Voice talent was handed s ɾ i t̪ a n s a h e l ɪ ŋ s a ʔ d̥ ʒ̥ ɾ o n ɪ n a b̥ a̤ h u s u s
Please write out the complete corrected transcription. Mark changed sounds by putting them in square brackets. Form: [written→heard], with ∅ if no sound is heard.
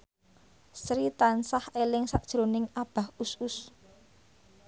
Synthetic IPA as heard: s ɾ i t̪ a n s a h e l ɪ ŋ s a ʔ d̥ ʒ̥ ɾ o n ɪ [n→ŋ] a b̥ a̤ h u s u s